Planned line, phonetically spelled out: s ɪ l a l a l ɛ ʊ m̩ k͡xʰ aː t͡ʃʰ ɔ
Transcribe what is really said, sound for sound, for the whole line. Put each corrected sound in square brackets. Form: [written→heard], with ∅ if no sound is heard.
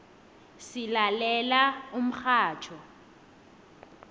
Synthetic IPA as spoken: s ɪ l a l [a→ɛ] l [ɛ→a] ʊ m̩ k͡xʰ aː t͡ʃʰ ɔ